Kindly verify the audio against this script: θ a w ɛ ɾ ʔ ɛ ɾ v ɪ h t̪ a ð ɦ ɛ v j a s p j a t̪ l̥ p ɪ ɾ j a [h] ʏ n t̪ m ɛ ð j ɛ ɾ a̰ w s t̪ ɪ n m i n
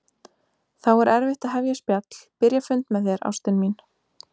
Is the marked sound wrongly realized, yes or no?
yes